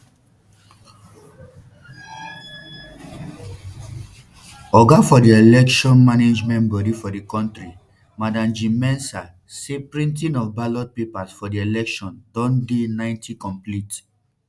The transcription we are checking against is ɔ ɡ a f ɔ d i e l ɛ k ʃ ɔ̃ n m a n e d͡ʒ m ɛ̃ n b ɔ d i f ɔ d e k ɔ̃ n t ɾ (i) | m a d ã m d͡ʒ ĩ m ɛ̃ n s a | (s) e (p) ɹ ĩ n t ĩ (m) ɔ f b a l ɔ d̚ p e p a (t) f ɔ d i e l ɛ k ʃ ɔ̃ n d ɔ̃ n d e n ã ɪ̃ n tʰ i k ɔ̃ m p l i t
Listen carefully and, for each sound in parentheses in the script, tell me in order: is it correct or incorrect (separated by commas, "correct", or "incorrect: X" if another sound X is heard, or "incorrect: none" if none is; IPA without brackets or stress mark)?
correct, correct, correct, incorrect: n, incorrect: s